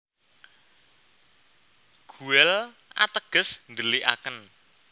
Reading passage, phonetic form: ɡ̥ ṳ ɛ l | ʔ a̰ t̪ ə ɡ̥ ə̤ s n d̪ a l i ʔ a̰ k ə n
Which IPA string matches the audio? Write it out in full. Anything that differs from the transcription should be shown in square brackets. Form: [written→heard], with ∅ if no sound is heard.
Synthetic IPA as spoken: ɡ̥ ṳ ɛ l | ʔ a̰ t̪ ə ɡ̥ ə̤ s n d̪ [a→ə] l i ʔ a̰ k ə n